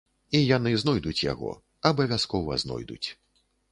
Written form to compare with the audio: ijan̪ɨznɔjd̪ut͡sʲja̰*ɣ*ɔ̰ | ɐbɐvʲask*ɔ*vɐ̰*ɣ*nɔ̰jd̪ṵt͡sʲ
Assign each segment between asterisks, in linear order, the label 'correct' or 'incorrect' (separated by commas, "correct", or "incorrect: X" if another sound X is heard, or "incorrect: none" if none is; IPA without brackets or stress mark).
correct, correct, incorrect: z